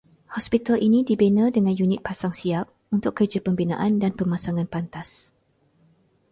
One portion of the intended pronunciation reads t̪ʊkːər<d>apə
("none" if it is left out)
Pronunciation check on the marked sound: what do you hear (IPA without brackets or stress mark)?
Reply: d͡ʒ